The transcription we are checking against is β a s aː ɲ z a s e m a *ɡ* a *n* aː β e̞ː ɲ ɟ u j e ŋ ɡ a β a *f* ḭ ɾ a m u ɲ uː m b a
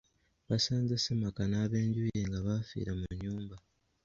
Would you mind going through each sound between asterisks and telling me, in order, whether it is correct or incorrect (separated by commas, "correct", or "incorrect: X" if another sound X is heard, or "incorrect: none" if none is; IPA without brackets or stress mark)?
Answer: incorrect: k, correct, correct